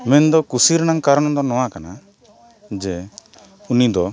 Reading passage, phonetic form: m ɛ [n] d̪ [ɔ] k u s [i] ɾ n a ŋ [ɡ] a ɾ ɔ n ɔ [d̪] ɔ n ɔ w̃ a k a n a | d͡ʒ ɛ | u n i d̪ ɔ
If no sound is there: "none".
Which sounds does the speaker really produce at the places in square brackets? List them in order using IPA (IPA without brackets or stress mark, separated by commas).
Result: n, ɔ, i, k, d̪